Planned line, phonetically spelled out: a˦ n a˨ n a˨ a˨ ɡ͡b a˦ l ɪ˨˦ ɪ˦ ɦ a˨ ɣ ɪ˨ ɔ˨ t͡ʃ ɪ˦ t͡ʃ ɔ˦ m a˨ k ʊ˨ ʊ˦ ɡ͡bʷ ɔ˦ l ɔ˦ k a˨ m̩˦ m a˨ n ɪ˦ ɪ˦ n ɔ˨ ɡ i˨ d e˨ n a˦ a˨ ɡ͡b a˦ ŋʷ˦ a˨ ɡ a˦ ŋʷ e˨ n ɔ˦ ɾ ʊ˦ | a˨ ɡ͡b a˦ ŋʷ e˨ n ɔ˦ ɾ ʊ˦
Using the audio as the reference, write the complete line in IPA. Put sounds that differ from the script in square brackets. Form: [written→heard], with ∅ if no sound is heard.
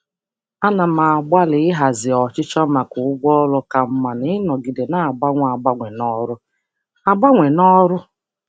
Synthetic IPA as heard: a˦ n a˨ [n→m] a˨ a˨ ɡ͡b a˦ l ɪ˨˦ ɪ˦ ɦ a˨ [ɣ→z] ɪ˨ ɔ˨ t͡ʃ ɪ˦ t͡ʃ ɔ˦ m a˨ k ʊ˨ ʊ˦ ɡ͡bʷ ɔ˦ l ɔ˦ k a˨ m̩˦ m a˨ n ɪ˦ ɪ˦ n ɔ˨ ɡ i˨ d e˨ n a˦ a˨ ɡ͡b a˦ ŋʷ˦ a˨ [ɡ→ɡ͡b] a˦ ŋʷ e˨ n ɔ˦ ɾ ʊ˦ | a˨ ɡ͡b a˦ ŋʷ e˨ n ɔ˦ ɾ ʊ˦